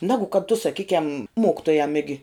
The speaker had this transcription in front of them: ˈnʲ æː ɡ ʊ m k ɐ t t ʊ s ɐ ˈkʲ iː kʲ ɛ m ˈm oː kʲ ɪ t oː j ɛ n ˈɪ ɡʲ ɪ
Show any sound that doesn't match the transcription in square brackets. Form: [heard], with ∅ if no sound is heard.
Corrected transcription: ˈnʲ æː ɡ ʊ [∅] k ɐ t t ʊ s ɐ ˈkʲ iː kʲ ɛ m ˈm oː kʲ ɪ t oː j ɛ [m] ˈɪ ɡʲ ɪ

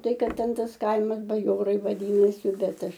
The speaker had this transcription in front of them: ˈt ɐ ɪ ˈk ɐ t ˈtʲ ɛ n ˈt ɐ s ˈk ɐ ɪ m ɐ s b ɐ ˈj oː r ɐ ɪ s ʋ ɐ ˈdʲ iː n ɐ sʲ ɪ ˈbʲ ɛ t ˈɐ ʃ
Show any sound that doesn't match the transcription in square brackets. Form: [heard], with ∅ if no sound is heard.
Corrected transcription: ˈt ɐ ɪ ˈk ɐ t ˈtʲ ɛ n ˈt ɐ s ˈk ɐ ɪ m ɐ s b ɐ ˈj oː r ɐ ɪ [∅] ʋ ɐ ˈdʲ iː n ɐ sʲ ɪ ˈbʲ ɛ t ˈɐ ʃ

